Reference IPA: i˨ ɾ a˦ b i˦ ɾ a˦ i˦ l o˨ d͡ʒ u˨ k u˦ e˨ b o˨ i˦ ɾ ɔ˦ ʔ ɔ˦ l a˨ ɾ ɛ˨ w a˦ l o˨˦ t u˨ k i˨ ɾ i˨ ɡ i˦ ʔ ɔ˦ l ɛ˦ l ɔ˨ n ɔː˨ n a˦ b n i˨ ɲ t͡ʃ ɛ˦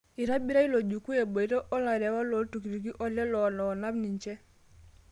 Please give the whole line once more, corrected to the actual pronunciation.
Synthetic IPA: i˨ ɾ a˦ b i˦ ɾ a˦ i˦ l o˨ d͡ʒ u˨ k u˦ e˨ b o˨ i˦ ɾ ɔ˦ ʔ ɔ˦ l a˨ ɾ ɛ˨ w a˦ l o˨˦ t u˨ k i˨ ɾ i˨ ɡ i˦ ʔ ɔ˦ l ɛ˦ l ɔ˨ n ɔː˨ n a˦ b n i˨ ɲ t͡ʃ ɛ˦